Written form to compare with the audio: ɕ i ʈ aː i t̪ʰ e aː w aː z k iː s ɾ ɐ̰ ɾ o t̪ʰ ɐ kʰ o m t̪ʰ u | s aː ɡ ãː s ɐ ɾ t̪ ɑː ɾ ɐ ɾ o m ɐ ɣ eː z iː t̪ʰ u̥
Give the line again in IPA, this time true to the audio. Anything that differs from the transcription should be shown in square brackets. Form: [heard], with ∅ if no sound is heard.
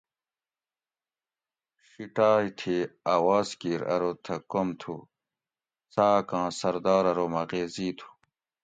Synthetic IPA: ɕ i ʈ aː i t̪ʰ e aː w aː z k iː [∅] ɾ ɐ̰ ɾ o t̪ʰ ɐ [k] o m t̪ʰ u | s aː [k] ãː s ɐ ɾ [d̪] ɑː ɾ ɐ ɾ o m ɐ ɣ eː z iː t̪ʰ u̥

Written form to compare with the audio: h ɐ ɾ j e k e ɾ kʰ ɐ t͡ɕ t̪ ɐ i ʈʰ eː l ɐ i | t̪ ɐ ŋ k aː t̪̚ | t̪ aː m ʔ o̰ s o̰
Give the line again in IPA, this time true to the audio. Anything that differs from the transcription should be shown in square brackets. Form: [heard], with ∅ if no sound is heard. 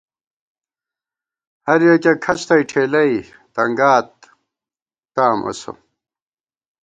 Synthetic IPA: h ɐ ɾ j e k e [∅] kʰ ɐ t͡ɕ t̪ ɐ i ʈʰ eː l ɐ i | t̪ ɐ ŋ [ɡ] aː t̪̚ | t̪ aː m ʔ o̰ s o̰

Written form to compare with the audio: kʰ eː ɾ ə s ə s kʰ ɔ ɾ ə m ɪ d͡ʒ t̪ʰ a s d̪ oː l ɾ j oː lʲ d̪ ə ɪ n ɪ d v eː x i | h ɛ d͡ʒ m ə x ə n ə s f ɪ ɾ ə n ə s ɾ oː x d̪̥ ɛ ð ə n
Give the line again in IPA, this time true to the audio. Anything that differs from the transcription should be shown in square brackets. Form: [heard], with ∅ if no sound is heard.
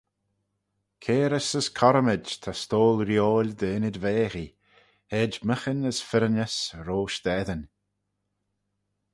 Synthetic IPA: kʰ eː ɾ ə s ə s kʰ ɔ ɾ ə m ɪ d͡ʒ t̪ʰ a s [t̪] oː l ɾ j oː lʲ d̪ ə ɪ n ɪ d v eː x i | h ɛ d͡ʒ m ə x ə n ə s f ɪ ɾ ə n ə s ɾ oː [ʃ] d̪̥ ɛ ð ə n

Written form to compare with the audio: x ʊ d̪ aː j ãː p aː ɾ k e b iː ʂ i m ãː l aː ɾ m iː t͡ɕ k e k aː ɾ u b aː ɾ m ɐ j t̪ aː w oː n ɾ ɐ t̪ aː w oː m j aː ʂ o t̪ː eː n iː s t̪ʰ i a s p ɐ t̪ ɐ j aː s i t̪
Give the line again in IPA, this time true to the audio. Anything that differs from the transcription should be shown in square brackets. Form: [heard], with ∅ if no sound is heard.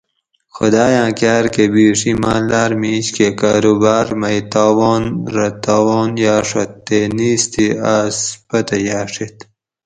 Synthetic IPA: x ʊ d̪ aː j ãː [k] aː ɾ k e b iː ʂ i m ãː l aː ɾ m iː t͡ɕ k e k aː ɾ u b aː ɾ m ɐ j t̪ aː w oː n ɾ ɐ t̪ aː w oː [n] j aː ʂ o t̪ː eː n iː s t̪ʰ i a s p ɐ t̪ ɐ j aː [ʂ] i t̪

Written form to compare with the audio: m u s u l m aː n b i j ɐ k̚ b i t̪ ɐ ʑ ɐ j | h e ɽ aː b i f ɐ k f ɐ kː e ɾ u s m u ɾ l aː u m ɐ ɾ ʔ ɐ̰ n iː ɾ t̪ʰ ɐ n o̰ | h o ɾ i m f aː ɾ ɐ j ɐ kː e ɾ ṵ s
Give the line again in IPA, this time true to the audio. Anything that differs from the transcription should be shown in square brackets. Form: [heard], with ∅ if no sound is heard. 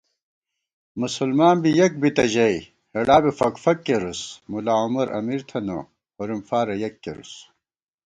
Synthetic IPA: m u s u l m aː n b i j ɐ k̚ b i t̪ ɐ ʑ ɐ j | h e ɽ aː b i f ɐ k f ɐ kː e ɾ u s m u [∅] l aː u m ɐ ɾ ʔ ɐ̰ [m] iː ɾ t̪ʰ ɐ n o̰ | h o ɾ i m f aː ɾ ɐ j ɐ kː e ɾ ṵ s

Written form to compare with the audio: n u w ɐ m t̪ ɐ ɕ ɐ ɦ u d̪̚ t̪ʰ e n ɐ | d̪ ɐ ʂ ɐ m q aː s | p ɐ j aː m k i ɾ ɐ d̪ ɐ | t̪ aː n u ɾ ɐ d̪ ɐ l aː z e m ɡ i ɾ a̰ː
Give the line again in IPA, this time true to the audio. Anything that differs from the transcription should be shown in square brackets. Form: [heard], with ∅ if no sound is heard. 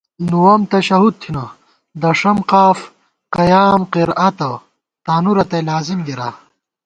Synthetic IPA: n u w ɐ m t̪ ɐ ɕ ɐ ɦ u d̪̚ t̪ʰ [i] n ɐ | d̪ ɐ ʂ ɐ m q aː [f] | [q] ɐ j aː m [q] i ɾ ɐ [t̪] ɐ | t̪ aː n u ɾ ɐ [t̪] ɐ l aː z [i] m ɡ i ɾ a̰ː

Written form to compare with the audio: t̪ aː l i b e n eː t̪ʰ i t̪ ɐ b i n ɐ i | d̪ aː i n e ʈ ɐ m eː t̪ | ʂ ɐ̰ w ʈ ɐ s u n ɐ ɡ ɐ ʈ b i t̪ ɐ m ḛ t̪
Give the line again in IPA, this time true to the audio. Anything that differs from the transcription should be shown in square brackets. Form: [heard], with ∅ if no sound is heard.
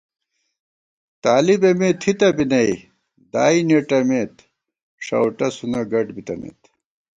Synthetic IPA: t̪ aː l i b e [m] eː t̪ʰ i t̪ ɐ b i n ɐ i | d̪ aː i n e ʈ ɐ m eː t̪ | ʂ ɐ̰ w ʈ ɐ s u n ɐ ɡ ɐ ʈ b i t̪ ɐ m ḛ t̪

